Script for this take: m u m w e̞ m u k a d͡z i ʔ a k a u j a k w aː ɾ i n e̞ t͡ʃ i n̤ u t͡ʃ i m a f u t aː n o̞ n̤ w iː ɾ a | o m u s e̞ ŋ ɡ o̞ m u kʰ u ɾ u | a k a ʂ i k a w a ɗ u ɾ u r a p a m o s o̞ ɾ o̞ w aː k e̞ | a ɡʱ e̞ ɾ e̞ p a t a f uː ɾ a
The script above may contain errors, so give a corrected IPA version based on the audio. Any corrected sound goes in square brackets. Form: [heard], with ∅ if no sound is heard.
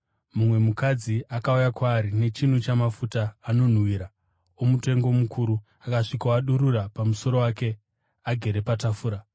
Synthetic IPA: m u m w e̞ m u k a d͡z i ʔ a k a u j a k w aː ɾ i n e̞ t͡ʃ i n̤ u t͡ʃ [a] m a f u t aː n o̞ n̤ w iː ɾ a | o m u [t] e̞ ŋ ɡ o̞ m u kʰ u ɾ u | a k a ʂ i k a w a ɗ u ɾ u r a p a m [u] s o̞ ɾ o̞ w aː k e̞ | a ɡʱ e̞ ɾ e̞ p a t a f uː ɾ a